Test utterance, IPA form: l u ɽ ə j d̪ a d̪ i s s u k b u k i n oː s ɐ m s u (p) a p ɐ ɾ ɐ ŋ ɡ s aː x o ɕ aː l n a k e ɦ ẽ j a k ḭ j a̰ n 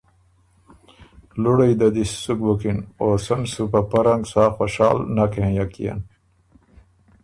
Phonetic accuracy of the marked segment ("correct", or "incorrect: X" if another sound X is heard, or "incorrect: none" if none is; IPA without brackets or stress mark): correct